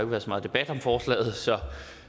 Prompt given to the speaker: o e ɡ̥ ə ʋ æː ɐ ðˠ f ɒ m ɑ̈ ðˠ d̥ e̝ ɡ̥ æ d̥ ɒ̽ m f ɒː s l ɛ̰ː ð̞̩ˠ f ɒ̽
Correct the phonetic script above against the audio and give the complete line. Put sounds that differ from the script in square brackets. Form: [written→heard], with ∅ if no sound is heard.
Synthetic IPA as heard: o e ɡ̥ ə ʋ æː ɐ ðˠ [f→s] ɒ m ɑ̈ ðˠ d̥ e̝ [ɡ̥→b̥] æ d̥ ɒ̽ m f ɒː s l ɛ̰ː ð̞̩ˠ [f→s] ɒ̽